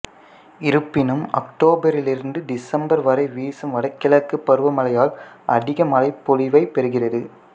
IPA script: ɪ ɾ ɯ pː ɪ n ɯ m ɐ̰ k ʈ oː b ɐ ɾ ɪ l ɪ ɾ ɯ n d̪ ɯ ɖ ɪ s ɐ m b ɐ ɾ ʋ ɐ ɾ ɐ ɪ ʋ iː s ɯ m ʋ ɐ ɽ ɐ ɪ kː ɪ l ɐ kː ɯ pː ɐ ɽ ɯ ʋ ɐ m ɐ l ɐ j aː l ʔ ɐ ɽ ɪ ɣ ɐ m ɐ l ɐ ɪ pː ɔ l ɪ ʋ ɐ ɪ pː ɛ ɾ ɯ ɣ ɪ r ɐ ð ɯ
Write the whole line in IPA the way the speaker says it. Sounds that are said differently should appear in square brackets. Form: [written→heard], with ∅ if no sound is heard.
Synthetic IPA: ɪ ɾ ɯ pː ɪ n ɯ m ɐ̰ k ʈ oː b ɐ ɾ ɪ l ɪ ɾ ɯ n d̪ ɯ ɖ ɪ s ɐ m b ɐ ɾ ʋ ɐ ɾ ɐ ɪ ʋ iː s ɯ m ʋ ɐ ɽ ɐ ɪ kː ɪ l ɐ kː ɯ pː ɐ [ɽ→ɾ] ɯ ʋ ɐ m ɐ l ɐ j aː l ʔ ɐ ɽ ɪ ɣ ɐ m ɐ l ɐ ɪ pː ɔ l ɪ ʋ ɐ ɪ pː ɛ ɾ ɯ ɣ ɪ r ɐ ð ɯ

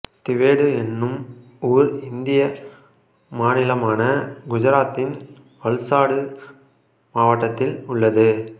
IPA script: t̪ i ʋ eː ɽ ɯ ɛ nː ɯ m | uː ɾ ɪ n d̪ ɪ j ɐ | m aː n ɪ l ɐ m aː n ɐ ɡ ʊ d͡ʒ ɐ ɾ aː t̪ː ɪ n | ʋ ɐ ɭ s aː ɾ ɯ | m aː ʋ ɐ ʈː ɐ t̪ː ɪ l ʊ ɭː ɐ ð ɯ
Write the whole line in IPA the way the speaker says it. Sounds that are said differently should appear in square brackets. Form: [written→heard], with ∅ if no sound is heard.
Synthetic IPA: t̪ [i→ɪ] ʋ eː ɽ ɯ ɛ nː ɯ m | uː ɾ ɪ n d̪ ɪ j ɐ | m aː n ɪ l ɐ m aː n ɐ ɡ ʊ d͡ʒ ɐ ɾ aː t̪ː ɪ n | ʋ ɐ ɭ s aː [ɾ→ɽ] ɯ | m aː ʋ ɐ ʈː ɐ t̪ː ɪ l ʊ ɭː ɐ ð ɯ

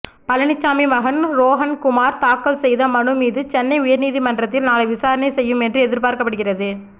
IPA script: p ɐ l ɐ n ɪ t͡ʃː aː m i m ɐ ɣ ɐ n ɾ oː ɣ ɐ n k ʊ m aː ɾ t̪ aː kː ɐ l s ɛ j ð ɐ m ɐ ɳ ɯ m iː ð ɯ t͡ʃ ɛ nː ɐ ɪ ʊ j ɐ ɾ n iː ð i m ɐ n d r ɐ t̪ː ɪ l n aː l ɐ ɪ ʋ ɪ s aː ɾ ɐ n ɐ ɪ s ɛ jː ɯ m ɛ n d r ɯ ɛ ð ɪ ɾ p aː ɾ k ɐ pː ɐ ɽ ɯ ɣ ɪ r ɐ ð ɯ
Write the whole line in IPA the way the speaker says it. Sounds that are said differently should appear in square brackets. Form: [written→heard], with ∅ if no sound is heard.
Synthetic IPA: p ɐ l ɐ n ɪ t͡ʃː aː m i m ɐ ɣ ɐ n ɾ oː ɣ ɐ n k ʊ m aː ɾ t̪ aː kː ɐ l s ɛ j ð ɐ m ɐ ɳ ɯ m iː ð ɯ t͡ʃ ɛ nː ɐ ɪ ʊ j ɐ ɾ n iː ð i m ɐ n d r ɐ t̪ː ɪ l n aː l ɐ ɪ ʋ ɪ s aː ɾ ɐ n ɐ ɪ s ɛ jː ɯ m ɛ n d r ɯ ɛ ð ɪ ɾ p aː ɾ k ɐ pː ɐ ɽ ɯ ɣ ɪ r ɐ ð ɯ

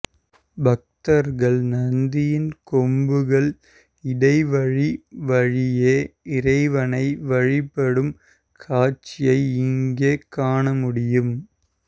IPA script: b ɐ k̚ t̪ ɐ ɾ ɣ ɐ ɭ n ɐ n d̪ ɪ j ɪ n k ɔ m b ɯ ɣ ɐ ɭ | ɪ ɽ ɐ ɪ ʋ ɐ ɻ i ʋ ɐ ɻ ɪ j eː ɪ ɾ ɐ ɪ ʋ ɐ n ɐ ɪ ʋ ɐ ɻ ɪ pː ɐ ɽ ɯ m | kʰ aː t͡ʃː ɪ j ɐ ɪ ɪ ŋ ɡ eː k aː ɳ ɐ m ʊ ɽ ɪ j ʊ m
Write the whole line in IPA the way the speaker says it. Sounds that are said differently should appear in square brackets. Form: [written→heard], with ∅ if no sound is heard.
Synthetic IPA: b ɐ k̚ t̪ ɐ ɾ ɣ ɐ ɭ n ɐ n d̪ ɪ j ɪ n k ɔ m b ɯ ɣ ɐ ɭ | ɪ ɽ ɐ ɪ ʋ ɐ ɻ i ʋ ɐ ɻ ɪ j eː ɪ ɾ ɐ ɪ ʋ ɐ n ɐ ɪ ʋ ɐ ɻ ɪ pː ɐ ɽ ɯ m | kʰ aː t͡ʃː ɪ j ɐ ɪ ɪ ŋ ɡ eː k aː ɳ ɐ m ʊ ɽ ɪ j [ʊ→ɯ] m

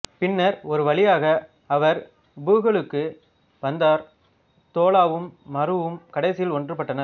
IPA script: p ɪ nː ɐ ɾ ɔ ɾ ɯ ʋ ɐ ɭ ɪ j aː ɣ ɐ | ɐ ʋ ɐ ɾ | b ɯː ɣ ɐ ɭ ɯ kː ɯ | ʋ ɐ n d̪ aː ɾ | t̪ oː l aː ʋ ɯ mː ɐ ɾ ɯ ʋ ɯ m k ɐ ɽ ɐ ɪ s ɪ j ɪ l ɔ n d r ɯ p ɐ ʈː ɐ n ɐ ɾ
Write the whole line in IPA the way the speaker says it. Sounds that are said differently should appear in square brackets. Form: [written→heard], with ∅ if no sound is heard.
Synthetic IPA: p ɪ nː ɐ ɾ ɔ ɾ ɯ ʋ ɐ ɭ ɪ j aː ɣ ɐ | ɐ ʋ ɐ ɾ | b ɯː ɣ ɐ ɭ ɯ kː ɯ | ʋ ɐ n d̪ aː ɾ | t̪ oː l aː ʋ ɯ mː ɐ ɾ ɯ ʋ ɯ m k ɐ ɽ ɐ ɪ s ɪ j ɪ l ɔ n d r ɯ p ɐ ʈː ɐ n ɐ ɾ

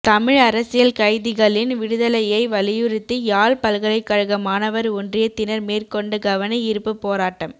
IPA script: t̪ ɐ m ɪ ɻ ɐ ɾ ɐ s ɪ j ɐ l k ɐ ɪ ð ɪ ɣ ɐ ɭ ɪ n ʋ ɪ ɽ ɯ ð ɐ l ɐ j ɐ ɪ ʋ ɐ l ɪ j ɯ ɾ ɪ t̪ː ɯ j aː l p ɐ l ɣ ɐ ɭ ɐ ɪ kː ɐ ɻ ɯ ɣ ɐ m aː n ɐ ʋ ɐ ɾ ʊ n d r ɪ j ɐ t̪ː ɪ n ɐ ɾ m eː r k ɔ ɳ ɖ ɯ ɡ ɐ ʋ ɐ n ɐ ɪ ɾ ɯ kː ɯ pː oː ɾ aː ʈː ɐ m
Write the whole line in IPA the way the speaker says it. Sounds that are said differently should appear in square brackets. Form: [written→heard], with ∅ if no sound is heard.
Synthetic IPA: t̪ ɐ m ɪ ɻ ɐ ɾ ɐ s ɪ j ɐ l k ɐ ɪ ð ɪ ɣ ɐ ɭ ɪ n ʋ ɪ ɽ ɯ ð ɐ l ɐ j ɐ ɪ ʋ ɐ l ɪ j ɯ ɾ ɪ t̪ː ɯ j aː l p ɐ l ɣ ɐ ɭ ɐ ɪ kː ɐ ɻ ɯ ɣ ɐ m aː n ɐ ʋ ɐ ɾ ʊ n d r ɪ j ɐ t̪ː ɪ n ɐ ɾ m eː r k ɔ ɳ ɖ ɯ ɡ ɐ ʋ ɐ n ɐ ɪ ɾ ɯ [kː→pː] ɯ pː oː ɾ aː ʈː ɐ m

